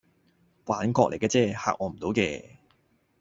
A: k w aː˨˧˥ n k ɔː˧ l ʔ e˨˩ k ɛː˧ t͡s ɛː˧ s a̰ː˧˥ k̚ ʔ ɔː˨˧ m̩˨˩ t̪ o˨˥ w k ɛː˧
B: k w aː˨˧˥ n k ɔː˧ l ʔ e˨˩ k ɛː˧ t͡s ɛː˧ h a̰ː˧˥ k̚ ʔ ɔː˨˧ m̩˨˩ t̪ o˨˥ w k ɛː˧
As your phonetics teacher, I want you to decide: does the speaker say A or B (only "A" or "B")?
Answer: B